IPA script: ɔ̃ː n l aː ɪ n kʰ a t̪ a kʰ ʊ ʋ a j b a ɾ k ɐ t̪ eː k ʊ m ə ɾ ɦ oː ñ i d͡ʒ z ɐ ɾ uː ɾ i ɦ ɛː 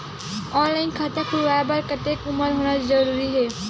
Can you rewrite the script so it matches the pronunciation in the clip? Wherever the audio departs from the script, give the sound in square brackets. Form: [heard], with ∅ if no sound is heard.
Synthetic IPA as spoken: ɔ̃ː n l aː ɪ n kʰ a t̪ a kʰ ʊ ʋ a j b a ɾ k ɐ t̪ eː k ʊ m ə ɾ ɦ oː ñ [a] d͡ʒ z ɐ ɾ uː ɾ i ɦ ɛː